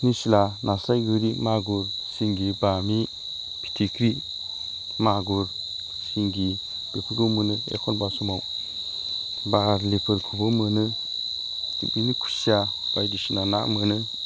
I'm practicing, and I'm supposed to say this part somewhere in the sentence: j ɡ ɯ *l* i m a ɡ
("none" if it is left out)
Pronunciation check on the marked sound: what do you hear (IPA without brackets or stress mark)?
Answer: ɾ